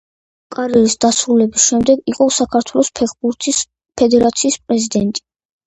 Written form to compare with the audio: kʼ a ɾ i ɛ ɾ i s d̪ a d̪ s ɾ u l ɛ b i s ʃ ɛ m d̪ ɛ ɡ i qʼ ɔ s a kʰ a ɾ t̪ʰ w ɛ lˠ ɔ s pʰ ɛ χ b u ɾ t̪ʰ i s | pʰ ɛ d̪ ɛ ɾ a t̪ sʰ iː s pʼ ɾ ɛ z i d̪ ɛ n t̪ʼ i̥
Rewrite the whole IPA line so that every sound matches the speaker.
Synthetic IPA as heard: kʼ a ɾ i ɛ ɾ i s d̪ a s ɾ u l ɛ b i s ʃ ɛ m d̪ ɛ ɡ i qʼ ɔ s a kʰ a ɾ t̪ʰ w ɛ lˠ ɔ s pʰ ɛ χ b u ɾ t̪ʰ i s | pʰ ɛ d̪ ɛ ɾ a t̪ sʰ iː s pʼ ɾ ɛ z i d̪ ɛ n t̪ʼ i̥